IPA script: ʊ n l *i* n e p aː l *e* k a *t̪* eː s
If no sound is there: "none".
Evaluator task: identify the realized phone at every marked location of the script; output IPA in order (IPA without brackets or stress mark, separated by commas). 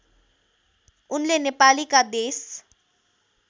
e, i, d̪